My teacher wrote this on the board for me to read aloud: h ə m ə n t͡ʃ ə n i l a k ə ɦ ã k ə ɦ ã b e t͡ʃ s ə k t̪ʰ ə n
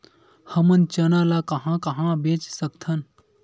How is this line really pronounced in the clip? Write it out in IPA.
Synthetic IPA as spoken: h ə m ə n t͡ʃ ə n a l a k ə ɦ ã k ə ɦ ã b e t͡ʃ s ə k t̪ʰ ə n